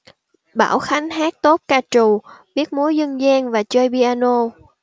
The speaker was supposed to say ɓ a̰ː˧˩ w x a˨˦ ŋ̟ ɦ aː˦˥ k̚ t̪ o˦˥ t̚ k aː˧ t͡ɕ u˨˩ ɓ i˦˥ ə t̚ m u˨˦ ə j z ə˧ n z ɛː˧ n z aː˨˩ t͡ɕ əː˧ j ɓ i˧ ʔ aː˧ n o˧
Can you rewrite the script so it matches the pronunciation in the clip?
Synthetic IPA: ɓ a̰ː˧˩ w x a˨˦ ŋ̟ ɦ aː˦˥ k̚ t̪ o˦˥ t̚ k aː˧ t͡ɕ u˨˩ ɓ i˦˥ ə t̚ m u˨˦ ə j z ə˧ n z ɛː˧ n v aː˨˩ t͡ɕ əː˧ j ɓ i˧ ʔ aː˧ n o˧

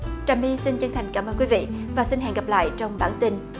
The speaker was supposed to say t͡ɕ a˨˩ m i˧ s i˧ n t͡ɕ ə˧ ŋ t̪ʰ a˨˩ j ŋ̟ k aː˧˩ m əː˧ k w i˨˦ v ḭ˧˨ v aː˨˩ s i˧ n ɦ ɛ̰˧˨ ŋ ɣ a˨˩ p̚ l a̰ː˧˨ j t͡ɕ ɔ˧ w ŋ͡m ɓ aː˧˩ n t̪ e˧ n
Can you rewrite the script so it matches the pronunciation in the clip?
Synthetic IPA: t͡ɕ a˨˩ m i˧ s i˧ n t͡ɕ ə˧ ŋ t̪ʰ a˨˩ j ŋ̟ k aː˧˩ m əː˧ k w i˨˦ v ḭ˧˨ v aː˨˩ s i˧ n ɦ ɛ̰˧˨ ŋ ɣ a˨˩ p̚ l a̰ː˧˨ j t͡ɕ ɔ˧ w ŋ͡m ɓ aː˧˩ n t̪ i˧ n

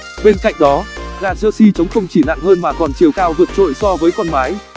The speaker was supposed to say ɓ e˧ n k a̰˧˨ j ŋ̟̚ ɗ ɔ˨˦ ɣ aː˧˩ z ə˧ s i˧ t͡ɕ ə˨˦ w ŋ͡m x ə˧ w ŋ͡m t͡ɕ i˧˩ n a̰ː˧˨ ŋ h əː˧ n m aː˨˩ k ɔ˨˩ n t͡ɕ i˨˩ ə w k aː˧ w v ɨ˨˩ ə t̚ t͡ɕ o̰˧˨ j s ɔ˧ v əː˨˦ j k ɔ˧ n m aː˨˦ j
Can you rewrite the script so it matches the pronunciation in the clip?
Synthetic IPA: ɓ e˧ n k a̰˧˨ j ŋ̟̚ ɗ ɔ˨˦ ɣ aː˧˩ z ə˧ s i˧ t͡ɕ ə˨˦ w ŋ͡m x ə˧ w ŋ͡m t͡ɕ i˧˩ n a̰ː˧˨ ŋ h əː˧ n m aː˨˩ k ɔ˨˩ n t͡ɕ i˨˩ ə w k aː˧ w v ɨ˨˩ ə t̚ t͡ɕ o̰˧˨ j s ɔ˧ v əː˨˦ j k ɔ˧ n m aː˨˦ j

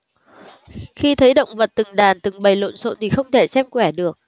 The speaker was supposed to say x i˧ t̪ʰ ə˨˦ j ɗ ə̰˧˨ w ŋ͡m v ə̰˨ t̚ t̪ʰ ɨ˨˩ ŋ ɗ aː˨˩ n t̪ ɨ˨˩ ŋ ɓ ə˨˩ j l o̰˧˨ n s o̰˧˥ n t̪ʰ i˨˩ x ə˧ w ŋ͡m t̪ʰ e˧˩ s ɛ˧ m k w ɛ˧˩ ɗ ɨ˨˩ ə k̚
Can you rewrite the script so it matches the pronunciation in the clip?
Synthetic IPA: x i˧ t̪ʰ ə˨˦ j ɗ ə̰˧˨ w ŋ͡m v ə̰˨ t̚ t̪ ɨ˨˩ ŋ ɗ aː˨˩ n t̪ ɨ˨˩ ŋ ɓ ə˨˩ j l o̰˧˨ n s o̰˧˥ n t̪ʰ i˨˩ x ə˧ w ŋ͡m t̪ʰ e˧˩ s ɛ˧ m k w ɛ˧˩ ɗ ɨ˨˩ ə k̚

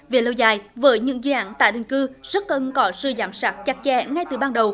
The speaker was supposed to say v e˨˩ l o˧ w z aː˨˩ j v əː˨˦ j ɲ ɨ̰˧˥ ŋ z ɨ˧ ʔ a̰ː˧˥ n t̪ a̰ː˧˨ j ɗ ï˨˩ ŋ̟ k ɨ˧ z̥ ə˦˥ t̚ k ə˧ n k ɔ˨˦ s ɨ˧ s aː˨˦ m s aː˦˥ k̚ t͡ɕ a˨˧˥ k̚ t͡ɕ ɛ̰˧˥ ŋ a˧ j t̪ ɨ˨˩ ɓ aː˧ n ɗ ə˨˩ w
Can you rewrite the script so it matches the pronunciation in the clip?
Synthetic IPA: v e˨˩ l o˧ w z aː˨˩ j v əː˨˦ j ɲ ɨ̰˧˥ ŋ z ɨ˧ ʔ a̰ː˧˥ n t̪ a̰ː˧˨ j ɗ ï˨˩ ŋ̟ k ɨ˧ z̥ ə˦˥ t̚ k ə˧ n k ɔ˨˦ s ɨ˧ z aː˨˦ m s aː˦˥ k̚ t͡ɕ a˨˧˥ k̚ t͡ɕ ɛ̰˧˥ ŋ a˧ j t̪ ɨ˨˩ ɓ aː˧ n ɗ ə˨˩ w

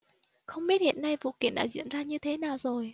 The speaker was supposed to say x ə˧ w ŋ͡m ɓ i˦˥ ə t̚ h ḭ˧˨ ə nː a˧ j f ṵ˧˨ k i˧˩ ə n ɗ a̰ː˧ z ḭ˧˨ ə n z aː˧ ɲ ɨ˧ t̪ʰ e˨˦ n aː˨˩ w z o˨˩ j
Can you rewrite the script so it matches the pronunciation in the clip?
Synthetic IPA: x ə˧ w ŋ͡m ɓ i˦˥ ə t̚ h ḭ˧˨ ə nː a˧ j v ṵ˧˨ k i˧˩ ə n ɗ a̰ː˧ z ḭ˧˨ ə n z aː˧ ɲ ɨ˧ t̪ʰ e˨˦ n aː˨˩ w z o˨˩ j

